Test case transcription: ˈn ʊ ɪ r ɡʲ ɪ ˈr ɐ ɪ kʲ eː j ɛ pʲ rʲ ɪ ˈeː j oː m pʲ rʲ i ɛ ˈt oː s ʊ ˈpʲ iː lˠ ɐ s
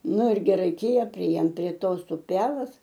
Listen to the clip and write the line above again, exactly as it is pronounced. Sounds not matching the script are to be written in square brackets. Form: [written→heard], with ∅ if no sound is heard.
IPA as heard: ˈn ʊ ɪ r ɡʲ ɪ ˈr ɐ ɪ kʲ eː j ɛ pʲ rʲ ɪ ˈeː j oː m pʲ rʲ i ɛ ˈt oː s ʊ ˈpʲ [iː→æː] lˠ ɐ s